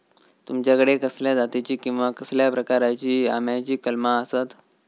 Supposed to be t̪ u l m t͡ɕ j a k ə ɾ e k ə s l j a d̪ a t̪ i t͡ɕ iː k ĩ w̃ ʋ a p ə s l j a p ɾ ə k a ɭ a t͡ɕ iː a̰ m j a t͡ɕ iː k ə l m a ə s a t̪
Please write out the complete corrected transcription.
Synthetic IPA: t̪ u m t͡ɕ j a k ə ɽ e k ə s l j a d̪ a t̪ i t͡ɕ iː k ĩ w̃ ʋ a k ə s l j a p ɾ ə k a ɾ a t͡ɕ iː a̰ m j a t͡ɕ iː k ə l m a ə s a t̪

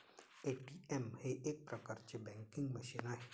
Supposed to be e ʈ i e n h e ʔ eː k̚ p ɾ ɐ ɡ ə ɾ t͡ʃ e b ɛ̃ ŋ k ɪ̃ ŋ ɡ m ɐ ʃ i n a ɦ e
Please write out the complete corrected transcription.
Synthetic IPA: e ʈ i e m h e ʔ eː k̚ p ɾ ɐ k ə ɾ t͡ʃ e b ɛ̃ ŋ k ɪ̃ ŋ ɡ m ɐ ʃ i n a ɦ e

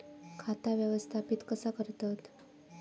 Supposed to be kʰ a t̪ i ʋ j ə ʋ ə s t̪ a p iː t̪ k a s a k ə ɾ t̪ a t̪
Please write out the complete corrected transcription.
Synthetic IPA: kʰ a t̪ a ʋ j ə ʋ ə s t̪ʰ a p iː t̪ k ə s a k ə ɾ t̪ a t̪

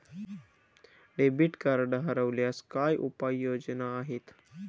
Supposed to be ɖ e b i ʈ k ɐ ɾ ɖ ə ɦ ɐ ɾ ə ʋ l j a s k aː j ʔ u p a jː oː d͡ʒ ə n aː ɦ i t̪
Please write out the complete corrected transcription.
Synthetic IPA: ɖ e b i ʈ k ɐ ɾ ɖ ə ɦ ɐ ɾ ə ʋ l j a s k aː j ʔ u p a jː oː d͡ʒ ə n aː ɦ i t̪

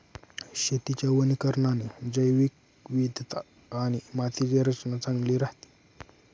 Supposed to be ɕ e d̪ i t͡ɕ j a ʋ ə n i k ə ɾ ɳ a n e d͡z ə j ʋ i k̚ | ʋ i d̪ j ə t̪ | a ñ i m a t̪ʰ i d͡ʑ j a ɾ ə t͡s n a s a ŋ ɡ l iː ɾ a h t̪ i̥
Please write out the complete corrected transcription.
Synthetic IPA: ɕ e t̪ i t͡ɕ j a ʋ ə n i k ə ɾ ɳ a n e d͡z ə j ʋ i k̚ | ʋ i d̪ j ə t̪ | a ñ i m a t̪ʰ i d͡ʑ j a ɾ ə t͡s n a t͡s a ŋ ɡ l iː ɾ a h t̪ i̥

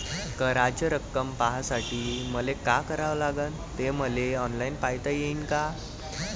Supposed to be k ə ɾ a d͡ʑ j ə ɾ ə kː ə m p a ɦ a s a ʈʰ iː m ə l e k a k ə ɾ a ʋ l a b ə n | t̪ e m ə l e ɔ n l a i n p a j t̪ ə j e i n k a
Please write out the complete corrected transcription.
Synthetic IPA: k ə ɾ a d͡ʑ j ə ɾ ə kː ə m p a ɦ a s a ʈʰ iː m ə l e k a k ə ɾ a ʋ l a ɡ ə n | t̪ e m ə l e ɔ n l a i n p a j t̪ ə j e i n k a

